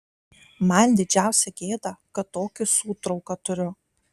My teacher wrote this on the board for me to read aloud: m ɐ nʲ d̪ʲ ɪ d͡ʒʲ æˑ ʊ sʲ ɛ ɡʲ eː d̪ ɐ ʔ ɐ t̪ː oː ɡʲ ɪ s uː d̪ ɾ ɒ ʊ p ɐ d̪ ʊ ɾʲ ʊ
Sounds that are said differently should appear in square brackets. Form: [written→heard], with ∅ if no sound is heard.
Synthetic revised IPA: m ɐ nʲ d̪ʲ ɪ d͡ʒʲ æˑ ʊ sʲ ɛ ɡʲ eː d̪ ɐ [ʔ→k] ɐ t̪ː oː [ɡʲ→kʲ] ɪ s uː [d̪→t̪] ɾ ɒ ʊ [p→k] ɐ [d̪→t̪] ʊ ɾʲ ʊ